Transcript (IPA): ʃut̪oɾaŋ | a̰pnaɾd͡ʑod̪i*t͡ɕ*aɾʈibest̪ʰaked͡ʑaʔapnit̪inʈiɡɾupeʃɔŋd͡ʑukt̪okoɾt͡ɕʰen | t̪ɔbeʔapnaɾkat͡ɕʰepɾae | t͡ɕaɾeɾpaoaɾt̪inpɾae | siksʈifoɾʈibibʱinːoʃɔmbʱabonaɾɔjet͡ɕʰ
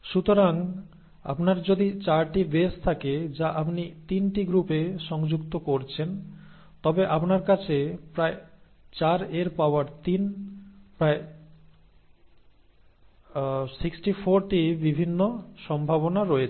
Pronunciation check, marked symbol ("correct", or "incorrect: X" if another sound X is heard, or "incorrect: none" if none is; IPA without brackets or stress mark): correct